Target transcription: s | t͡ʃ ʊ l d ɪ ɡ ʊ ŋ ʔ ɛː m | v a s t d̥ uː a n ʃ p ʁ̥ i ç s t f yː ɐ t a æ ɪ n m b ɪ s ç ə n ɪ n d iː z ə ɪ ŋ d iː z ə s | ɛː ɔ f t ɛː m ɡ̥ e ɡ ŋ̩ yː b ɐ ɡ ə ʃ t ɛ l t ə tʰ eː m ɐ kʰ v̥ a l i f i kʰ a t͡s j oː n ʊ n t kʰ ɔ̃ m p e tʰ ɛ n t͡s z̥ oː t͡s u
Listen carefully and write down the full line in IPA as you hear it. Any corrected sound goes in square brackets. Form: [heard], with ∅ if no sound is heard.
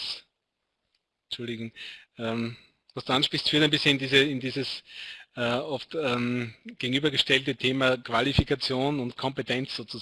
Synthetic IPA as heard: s | t͡ʃ ʊ l d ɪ ɡ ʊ ŋ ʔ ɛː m | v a s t d̥ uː a n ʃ p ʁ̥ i ç s t f yː ɐ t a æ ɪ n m b ɪ s ç ə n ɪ n d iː z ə ɪ [n] d iː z ə s | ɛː ɔ f t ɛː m ɡ̥ e ɡ ŋ̩ yː b ɐ ɡ ə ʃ t ɛ l t ə tʰ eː m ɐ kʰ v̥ a l i f i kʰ a t͡s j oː n ʊ n t kʰ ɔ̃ m p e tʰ ɛ n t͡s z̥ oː t͡s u